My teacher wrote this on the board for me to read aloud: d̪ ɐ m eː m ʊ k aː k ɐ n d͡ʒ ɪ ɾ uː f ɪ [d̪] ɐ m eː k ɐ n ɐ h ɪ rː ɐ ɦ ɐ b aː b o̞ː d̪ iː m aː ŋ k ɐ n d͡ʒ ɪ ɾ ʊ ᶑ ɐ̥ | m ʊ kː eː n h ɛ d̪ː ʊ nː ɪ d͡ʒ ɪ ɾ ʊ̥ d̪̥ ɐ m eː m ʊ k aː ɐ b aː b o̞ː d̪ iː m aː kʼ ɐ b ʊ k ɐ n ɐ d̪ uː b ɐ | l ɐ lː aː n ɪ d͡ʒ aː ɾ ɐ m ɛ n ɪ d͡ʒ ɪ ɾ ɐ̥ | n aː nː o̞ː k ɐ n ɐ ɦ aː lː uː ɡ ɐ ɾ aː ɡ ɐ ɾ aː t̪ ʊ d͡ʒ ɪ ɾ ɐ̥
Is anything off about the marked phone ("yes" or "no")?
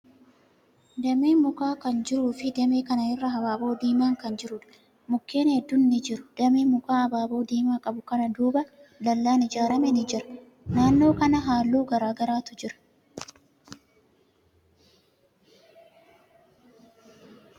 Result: no